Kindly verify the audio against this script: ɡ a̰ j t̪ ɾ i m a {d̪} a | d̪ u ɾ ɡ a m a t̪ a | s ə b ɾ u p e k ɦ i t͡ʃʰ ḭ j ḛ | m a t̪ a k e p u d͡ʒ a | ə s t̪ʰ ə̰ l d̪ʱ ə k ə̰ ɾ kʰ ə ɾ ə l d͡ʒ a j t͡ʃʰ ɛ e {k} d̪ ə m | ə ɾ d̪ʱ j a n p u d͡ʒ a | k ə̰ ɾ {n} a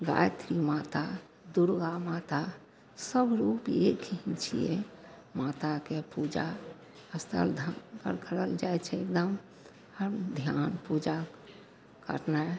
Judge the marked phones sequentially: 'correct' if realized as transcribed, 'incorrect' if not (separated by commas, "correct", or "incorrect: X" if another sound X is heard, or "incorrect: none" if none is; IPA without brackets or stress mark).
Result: incorrect: t̪, correct, correct